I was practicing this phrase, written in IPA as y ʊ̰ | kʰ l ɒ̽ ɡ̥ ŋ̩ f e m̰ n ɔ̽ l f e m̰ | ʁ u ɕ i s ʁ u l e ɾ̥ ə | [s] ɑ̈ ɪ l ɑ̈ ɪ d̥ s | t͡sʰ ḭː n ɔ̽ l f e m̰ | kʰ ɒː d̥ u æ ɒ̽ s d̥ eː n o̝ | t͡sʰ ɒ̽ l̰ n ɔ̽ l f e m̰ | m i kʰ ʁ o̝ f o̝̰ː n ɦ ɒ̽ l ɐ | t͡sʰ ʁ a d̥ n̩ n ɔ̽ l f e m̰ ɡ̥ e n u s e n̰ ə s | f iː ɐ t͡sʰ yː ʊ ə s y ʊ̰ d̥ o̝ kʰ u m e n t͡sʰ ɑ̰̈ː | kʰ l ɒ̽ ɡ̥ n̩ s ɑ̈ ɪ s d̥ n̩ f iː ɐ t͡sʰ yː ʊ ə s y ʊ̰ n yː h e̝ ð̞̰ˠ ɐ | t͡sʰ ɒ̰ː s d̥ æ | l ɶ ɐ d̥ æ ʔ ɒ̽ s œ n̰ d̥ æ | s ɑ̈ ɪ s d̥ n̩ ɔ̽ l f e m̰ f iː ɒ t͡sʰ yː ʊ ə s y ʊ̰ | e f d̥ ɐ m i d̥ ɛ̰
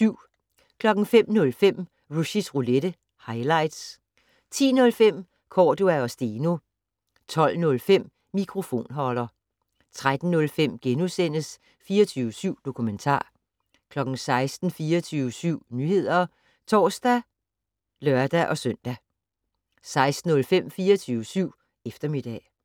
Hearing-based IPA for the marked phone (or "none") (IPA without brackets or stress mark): h